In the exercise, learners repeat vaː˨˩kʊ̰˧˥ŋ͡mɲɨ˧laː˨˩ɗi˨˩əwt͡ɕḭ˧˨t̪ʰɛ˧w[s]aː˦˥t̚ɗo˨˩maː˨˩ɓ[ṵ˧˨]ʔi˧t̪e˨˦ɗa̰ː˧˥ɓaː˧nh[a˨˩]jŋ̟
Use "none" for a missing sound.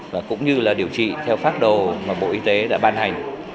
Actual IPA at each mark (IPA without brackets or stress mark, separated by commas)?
f, o̰˧˨, a˨˩